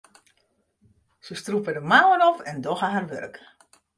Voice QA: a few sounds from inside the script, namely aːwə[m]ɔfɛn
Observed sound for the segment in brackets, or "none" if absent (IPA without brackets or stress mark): n